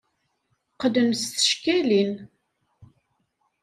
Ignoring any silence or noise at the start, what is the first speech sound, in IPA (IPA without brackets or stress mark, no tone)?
q